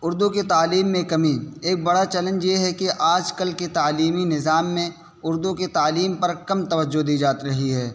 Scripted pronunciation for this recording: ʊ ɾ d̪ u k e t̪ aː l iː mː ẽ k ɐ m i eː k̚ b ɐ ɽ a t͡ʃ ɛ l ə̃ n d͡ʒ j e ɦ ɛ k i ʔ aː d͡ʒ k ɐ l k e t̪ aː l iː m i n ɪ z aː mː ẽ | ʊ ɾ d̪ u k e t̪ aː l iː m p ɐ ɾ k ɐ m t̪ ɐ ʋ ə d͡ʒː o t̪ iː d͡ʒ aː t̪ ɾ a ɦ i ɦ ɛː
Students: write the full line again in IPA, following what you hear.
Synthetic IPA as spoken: ʊ ɾ d̪ u k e t̪ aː l iː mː ẽ k ɐ m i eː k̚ b ɐ ɽ a t͡ʃ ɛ l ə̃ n d͡ʒ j e ɦ ɛ k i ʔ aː d͡ʒ k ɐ l k e t̪ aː l iː m i n ɪ z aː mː ẽ | ʊ ɾ d̪ u k e t̪ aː l iː m p ɐ ɾ k ɐ m t̪ ɐ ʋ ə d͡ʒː o d̪ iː d͡ʒ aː t̪ ɾ ɐ ɦ i ɦ ɛː